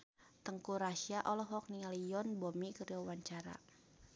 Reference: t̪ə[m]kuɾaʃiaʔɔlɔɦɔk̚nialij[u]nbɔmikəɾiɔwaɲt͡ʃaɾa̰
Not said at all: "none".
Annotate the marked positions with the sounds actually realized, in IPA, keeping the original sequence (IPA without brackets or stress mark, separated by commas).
ŋ, ɔ